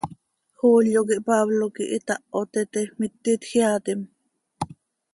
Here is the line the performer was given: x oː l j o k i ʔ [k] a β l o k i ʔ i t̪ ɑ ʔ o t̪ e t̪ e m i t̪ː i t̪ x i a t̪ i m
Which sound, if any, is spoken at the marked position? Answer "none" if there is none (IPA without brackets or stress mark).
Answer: p